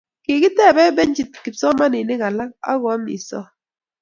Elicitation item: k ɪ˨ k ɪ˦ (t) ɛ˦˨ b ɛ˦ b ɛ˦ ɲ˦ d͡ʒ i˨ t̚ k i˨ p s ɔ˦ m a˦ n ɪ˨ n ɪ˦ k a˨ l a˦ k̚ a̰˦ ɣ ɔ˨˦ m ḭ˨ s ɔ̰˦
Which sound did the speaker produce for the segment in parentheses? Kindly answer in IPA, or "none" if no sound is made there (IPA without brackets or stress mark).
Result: t